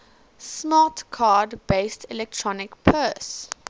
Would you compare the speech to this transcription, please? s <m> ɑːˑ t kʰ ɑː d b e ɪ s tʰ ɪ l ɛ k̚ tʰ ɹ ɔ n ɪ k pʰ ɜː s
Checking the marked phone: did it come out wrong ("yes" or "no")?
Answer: no